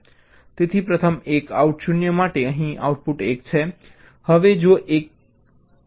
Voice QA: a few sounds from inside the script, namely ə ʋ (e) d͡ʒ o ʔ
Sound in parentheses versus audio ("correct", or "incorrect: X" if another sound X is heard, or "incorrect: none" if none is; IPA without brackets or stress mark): correct